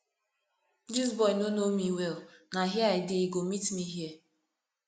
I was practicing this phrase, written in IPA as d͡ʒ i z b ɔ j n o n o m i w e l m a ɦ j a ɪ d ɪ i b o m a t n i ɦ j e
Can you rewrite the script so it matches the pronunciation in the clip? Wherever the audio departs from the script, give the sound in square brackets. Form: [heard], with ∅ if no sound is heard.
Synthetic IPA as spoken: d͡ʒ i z b ɔ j n o n o m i w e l [n] a ɦ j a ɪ d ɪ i [ɡ] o m [i] t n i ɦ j e